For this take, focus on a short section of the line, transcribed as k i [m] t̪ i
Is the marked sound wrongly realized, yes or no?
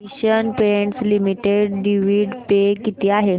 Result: yes